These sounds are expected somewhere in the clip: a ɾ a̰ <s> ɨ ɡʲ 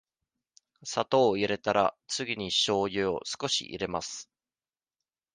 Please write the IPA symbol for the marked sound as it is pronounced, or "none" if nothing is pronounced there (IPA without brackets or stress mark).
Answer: t͡s